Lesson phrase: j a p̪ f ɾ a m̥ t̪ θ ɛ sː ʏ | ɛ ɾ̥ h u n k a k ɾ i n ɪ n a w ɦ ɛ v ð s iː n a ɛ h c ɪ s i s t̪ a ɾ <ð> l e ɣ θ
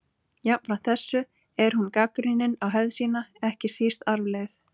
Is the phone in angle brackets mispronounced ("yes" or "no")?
yes